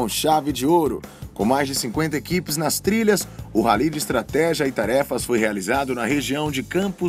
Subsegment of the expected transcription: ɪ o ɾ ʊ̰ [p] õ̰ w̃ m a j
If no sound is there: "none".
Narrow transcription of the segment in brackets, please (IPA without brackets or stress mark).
k